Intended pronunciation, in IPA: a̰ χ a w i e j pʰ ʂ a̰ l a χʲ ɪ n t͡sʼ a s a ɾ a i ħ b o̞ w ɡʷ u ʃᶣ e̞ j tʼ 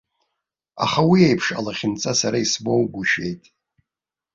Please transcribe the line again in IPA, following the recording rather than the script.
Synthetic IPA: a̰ χ a w i e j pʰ ʂ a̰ l a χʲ ɪ n t͡sʼ a s a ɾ a i s b o̞ w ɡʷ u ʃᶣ e̞ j tʼ